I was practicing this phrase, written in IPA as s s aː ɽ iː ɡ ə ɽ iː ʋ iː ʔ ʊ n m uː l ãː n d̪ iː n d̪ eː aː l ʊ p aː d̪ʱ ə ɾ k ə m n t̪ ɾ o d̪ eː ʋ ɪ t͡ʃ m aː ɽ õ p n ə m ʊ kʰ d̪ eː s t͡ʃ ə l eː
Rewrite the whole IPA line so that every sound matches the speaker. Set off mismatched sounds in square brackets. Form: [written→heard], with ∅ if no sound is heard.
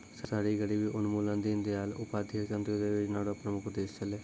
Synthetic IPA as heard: s s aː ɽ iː ɡ ə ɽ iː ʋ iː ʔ ʊ n m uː l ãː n d̪ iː n d̪ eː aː l ʊ p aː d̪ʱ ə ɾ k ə [m→∅] n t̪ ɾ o d̪ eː ʋ ɪ t͡ʃ [m→n] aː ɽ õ p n ə m ʊ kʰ d̪ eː s t͡ʃ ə l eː